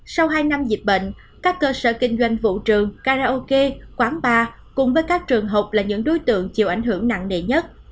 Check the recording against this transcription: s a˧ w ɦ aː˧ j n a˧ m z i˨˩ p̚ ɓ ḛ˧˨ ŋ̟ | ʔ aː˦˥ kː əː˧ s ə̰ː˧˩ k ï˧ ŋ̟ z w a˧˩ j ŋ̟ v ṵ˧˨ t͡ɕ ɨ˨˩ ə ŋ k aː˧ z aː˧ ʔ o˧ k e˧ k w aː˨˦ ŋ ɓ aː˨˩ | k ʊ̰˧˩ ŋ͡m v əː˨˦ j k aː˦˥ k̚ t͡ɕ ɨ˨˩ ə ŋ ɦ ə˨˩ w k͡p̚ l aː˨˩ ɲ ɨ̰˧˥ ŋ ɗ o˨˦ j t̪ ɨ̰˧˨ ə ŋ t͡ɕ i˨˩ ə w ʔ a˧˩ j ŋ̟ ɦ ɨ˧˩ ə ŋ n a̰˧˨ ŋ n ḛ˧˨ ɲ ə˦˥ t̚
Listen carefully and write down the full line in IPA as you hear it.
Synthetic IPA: s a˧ w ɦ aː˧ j n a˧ m z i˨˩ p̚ ɓ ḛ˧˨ ŋ̟ | k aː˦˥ kː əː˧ s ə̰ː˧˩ k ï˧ ŋ̟ z w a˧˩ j ŋ̟ v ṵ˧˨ t͡ɕ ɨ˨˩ ə ŋ k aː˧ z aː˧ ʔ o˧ k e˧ k w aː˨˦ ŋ ɓ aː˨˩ | k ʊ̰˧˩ ŋ͡m v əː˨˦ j k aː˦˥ k̚ t͡ɕ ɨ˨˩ ə ŋ ɦ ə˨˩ w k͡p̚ l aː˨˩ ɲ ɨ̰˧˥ ŋ ɗ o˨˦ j t̪ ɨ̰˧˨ ə ŋ t͡ɕ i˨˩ ə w ʔ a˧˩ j ŋ̟ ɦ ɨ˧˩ ə ŋ n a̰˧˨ ŋ n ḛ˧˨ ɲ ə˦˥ t̚